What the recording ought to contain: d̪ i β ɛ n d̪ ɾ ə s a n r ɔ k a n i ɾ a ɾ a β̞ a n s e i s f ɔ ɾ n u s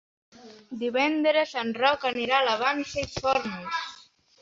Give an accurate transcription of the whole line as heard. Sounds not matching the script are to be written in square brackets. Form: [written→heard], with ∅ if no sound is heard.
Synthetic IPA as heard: d̪ i β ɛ n d̪ ɾ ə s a n r ɔ k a n i ɾ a [ɾ→l] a β̞ a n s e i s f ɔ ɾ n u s